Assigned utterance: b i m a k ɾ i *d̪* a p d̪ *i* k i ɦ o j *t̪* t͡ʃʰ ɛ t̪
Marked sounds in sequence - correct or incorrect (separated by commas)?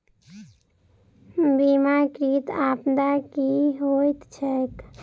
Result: incorrect, incorrect, correct